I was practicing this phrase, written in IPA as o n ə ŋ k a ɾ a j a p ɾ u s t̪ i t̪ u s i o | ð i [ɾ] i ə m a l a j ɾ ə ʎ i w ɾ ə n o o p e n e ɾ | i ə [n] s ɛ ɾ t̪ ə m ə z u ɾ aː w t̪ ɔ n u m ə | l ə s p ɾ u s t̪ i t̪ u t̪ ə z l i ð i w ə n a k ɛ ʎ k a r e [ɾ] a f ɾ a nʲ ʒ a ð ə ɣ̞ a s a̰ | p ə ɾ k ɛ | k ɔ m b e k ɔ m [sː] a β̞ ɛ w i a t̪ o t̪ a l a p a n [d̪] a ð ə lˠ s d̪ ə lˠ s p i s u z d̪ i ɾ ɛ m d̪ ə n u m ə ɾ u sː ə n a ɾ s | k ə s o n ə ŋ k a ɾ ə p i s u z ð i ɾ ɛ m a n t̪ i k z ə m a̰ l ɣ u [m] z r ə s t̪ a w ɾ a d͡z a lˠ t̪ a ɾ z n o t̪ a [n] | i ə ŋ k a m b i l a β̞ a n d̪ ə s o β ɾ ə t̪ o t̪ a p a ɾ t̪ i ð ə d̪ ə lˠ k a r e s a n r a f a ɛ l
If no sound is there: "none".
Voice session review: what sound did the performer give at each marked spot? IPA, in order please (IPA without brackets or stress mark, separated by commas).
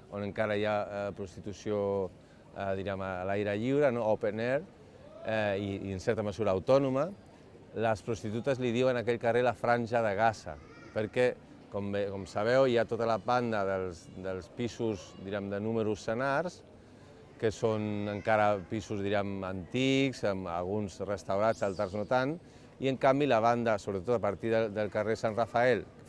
ɾ, n, l, s, d̪, n, n